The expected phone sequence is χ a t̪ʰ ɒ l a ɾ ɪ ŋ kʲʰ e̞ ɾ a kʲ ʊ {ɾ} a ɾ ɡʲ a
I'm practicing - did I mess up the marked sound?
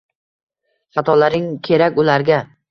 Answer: yes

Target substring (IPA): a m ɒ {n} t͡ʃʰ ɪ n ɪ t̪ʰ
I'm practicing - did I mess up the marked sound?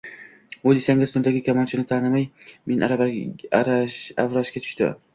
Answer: no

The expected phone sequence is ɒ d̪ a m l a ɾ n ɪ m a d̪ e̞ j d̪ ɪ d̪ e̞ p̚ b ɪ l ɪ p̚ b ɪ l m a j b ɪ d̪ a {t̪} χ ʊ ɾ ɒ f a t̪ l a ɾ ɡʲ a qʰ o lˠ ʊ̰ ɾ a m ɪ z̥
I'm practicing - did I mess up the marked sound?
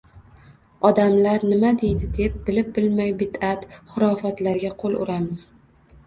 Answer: no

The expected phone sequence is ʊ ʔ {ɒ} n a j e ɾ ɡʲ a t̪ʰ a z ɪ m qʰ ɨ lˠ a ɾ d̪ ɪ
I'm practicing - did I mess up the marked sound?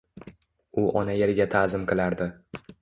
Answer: no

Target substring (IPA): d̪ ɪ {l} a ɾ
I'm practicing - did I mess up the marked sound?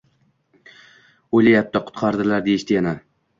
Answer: no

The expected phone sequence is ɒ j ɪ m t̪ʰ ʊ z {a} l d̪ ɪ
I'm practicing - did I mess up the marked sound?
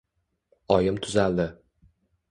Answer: no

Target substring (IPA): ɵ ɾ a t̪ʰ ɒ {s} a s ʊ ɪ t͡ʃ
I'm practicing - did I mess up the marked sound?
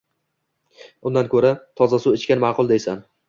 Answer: yes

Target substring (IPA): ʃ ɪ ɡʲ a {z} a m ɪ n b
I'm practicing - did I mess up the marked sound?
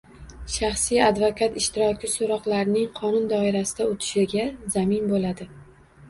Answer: no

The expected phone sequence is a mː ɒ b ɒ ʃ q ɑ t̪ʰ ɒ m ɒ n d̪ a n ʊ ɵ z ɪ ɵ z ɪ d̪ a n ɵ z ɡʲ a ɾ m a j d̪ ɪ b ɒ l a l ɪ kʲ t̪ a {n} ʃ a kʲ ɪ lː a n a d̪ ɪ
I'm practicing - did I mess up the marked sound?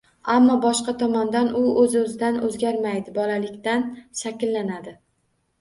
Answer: no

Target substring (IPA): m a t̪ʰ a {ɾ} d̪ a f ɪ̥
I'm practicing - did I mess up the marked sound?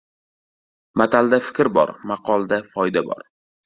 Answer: yes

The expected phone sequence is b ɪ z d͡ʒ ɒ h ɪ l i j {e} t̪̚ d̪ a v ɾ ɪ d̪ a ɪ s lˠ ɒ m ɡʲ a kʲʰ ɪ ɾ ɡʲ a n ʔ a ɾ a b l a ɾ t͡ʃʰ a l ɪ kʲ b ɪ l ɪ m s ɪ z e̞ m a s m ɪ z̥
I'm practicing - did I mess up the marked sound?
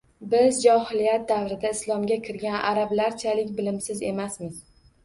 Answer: yes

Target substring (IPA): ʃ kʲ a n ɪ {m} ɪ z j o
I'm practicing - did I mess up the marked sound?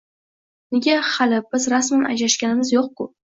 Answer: no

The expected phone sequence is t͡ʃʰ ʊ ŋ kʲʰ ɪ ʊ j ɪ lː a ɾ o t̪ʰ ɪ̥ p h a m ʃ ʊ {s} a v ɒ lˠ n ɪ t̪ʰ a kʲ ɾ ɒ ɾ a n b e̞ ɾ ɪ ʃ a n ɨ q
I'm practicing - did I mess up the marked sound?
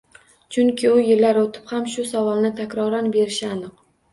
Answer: no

